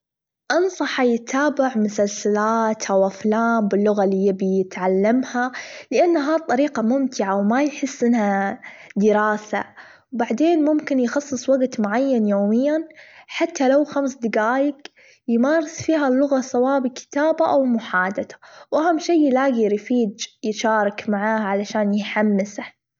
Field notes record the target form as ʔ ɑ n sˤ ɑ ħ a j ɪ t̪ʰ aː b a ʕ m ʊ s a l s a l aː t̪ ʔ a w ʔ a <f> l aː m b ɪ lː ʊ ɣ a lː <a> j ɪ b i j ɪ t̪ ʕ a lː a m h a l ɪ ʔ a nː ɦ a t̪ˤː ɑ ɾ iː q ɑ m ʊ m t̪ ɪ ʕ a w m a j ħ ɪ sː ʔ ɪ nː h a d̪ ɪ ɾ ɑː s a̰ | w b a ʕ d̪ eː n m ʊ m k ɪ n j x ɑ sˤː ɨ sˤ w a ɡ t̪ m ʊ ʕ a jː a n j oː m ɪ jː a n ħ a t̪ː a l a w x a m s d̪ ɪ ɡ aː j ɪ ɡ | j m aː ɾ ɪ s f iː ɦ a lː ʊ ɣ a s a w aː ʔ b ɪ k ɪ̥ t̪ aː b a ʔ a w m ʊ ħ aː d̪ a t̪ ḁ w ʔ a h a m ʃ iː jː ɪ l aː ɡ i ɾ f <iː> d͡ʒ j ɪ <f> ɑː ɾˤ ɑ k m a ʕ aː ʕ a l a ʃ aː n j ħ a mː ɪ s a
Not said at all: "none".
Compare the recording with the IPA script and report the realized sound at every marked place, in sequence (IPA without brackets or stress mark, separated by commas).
f, i, iː, ʃ